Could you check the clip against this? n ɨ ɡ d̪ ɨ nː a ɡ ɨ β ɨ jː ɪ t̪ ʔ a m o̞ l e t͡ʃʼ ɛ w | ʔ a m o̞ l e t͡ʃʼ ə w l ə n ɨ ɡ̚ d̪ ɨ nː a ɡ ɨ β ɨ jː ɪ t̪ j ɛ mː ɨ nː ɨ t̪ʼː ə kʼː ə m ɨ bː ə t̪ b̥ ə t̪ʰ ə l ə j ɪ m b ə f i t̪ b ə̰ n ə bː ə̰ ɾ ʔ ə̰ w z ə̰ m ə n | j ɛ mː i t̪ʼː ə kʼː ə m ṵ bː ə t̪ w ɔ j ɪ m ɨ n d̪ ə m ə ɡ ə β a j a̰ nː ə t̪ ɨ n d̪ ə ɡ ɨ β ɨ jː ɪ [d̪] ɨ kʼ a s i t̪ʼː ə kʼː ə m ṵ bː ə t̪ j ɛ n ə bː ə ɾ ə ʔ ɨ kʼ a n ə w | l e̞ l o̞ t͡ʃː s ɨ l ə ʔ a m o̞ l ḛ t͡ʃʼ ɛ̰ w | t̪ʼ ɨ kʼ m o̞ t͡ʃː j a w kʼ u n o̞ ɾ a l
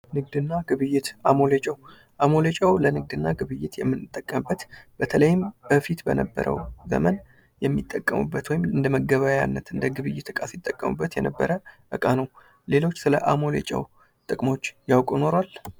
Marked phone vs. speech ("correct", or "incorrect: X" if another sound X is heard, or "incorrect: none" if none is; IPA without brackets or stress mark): incorrect: t̪